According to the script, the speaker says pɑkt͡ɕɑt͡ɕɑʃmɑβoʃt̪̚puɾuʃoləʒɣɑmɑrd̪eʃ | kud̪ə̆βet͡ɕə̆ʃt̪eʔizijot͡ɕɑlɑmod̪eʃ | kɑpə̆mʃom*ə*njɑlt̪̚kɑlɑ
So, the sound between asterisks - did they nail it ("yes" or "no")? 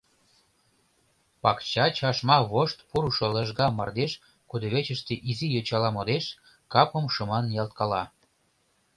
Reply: no